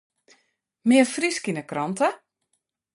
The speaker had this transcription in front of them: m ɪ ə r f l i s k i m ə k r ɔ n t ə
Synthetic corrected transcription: m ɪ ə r f r i s k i n ə k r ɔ n t ə